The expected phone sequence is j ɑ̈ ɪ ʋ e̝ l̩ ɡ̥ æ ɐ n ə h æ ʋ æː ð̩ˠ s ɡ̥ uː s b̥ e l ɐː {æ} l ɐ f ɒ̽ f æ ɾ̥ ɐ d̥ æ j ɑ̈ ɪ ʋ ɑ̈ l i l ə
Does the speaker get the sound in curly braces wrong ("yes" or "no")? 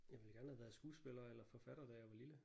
yes